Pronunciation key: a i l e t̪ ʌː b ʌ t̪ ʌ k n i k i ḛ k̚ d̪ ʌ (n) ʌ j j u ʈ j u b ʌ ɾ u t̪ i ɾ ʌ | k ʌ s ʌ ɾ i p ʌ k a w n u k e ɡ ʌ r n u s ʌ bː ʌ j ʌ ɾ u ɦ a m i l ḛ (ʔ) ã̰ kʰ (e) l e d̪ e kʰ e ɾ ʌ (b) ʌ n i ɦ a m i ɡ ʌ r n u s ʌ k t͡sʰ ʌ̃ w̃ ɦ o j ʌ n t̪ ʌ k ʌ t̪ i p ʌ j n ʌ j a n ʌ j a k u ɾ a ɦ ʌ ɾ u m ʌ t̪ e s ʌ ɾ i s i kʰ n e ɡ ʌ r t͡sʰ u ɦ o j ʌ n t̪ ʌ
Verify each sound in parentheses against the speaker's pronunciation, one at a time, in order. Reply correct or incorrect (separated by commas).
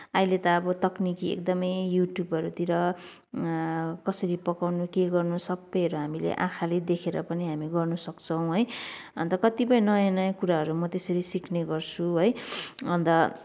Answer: incorrect, correct, incorrect, incorrect